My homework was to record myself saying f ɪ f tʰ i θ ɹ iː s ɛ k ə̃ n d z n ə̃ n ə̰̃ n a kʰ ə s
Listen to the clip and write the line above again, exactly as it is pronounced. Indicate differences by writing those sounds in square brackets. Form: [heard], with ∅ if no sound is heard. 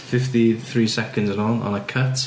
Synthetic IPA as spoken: f ɪ f [t] i θ ɹ iː s ɛ k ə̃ n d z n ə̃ n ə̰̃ n [ə] kʰ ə [t]